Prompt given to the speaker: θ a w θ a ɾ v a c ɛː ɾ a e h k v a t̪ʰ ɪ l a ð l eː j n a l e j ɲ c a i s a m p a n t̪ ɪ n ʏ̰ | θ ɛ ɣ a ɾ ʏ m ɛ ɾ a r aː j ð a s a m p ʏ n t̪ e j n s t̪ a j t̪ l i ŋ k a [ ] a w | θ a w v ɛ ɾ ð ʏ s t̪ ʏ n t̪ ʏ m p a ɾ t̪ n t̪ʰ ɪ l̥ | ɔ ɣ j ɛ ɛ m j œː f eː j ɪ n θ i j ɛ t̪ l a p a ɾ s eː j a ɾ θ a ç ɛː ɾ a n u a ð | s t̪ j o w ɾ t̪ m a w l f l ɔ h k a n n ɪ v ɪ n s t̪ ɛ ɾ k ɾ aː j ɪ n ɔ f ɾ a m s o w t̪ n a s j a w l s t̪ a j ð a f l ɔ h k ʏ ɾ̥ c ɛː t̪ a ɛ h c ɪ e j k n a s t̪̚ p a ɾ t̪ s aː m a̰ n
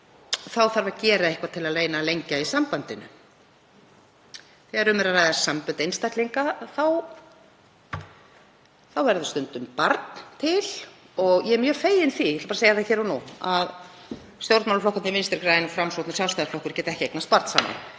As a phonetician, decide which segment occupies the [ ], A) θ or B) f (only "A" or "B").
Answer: A